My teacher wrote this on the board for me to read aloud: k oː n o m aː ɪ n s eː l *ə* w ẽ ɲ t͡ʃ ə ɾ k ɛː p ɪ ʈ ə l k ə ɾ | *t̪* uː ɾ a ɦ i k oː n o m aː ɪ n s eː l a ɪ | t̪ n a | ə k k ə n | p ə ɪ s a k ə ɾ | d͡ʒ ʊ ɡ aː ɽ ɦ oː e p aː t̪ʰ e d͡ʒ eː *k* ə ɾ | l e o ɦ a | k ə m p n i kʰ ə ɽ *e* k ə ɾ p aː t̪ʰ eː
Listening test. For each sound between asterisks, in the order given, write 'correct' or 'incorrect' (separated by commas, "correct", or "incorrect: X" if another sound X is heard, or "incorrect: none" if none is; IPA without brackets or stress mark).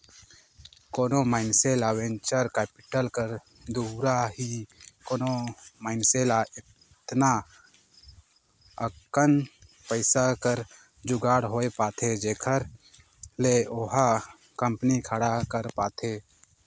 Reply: incorrect: a, incorrect: d̪, incorrect: kʰ, incorrect: a